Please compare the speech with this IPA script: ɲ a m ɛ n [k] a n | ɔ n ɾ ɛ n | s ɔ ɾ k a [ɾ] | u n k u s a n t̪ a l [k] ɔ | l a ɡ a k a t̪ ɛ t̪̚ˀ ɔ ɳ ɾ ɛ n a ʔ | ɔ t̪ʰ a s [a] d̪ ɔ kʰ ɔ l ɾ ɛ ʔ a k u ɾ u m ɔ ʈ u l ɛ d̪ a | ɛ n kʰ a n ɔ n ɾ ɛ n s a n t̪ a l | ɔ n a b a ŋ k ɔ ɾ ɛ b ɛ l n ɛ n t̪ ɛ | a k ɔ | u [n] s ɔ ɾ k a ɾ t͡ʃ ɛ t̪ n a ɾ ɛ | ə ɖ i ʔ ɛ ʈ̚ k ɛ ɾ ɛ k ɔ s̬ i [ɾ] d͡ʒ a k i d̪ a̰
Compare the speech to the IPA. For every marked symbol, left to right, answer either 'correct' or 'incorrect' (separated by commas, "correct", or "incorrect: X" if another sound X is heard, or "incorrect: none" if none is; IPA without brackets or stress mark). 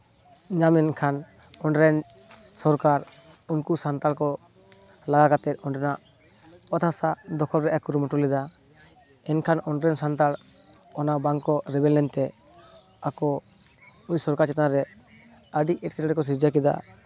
incorrect: kʰ, correct, correct, correct, incorrect: ɲ, correct